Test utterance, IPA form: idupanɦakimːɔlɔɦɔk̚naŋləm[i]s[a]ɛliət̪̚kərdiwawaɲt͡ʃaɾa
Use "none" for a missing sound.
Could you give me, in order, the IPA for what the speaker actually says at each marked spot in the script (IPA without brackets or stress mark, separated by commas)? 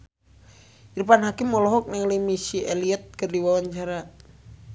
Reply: i, i